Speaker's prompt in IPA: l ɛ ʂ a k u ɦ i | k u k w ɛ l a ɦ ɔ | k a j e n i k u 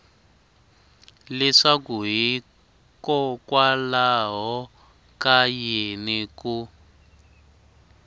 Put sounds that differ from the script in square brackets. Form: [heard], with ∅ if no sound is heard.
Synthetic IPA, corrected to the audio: l ɛ ʂ a k u ɦ i | k [ɔ] k w [a] l a ɦ ɔ | k a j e n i k u